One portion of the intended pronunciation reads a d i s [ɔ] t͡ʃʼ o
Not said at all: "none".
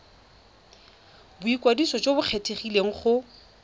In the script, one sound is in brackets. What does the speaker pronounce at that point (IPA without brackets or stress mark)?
ɔ